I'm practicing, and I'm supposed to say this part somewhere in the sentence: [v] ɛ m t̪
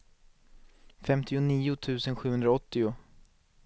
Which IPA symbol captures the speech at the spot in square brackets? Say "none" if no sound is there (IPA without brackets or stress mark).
f